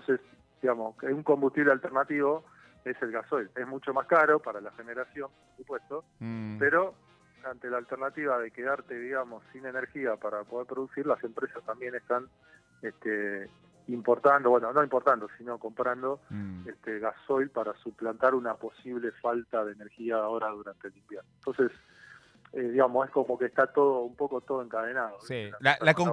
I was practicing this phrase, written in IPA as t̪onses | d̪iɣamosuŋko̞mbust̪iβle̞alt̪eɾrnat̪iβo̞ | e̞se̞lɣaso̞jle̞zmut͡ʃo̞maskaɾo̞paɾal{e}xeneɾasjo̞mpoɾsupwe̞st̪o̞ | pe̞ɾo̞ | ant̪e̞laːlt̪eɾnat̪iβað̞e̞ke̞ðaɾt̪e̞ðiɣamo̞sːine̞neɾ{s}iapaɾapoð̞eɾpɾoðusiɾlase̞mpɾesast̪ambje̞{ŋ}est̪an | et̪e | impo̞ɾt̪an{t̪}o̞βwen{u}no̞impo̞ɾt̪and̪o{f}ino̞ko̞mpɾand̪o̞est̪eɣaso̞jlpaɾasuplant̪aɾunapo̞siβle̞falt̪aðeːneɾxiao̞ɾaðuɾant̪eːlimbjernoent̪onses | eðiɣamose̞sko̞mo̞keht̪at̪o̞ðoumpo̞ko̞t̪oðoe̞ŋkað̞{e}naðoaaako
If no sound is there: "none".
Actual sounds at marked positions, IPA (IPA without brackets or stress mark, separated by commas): a, x, n, d̪, o, s, e